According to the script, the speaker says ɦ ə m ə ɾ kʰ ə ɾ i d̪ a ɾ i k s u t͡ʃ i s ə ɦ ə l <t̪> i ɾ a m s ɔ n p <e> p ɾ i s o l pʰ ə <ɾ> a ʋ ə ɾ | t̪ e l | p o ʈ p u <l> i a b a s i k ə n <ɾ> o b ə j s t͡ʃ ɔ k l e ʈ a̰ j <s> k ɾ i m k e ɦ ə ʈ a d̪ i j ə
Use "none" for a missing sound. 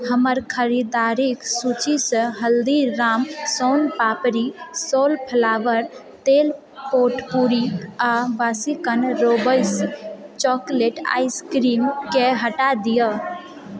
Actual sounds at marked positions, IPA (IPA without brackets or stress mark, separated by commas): d̪, a, l, ɾ, ɾ, s